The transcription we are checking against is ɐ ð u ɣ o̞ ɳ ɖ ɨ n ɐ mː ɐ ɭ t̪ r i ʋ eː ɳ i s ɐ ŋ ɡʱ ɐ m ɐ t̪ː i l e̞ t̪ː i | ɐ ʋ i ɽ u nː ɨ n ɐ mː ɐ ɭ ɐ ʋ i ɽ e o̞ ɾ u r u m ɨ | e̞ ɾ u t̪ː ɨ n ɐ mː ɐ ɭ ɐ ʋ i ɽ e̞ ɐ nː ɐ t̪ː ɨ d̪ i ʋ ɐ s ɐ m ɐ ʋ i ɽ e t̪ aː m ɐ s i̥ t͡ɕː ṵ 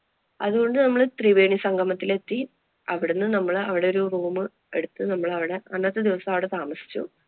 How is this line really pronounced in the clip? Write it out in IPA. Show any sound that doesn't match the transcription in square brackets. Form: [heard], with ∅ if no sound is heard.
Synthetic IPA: ɐ ð u ɣ o̞ ɳ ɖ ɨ n ɐ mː ɐ ɭ t̪ r i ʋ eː ɳ i s ɐ ŋ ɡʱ ɐ m ɐ t̪ː i l e̞ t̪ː i | ɐ ʋ i ɽ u nː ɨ n ɐ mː ɐ ɭ ɐ ʋ i ɽ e o̞ ɾ u r [uː] m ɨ | e̞ [ɽ] u t̪ː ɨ n ɐ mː ɐ ɭ ɐ ʋ i ɽ e̞ ɐ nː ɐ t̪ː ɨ d̪ i ʋ ɐ s ɐ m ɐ ʋ i ɽ e t̪ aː m ɐ s i̥ t͡ɕː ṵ